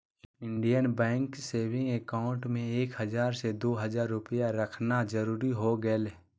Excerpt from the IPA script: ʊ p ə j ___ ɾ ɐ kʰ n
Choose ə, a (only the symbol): a